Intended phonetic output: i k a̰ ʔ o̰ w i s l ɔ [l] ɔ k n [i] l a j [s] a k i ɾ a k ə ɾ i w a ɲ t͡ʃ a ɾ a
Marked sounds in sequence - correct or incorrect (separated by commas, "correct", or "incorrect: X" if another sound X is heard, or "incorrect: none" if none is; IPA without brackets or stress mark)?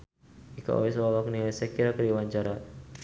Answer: correct, correct, correct